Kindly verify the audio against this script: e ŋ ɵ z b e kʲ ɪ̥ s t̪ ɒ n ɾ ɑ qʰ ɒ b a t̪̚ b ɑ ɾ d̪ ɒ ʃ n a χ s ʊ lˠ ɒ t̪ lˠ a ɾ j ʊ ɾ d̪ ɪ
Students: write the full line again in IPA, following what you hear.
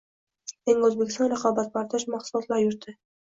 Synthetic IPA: e ŋ ɵ z b e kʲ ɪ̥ s t̪ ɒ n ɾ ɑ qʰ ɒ b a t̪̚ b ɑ ɾ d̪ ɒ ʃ m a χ s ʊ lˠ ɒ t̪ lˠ a ɾ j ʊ ɾ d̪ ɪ